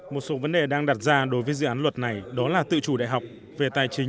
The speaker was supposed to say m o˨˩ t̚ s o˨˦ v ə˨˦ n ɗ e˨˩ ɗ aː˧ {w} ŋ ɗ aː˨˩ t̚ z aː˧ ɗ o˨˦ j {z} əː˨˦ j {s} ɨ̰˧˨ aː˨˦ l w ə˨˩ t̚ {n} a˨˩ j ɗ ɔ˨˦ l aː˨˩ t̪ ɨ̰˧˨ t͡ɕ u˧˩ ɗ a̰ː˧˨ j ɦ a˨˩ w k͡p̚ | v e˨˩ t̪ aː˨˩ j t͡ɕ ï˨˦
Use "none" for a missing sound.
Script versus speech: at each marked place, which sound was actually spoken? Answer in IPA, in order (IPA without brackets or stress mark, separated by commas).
none, v, z, n